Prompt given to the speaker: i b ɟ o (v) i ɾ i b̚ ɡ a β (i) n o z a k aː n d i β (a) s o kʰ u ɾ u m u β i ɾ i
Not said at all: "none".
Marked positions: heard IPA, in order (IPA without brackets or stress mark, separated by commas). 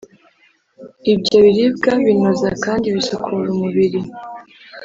β, i, i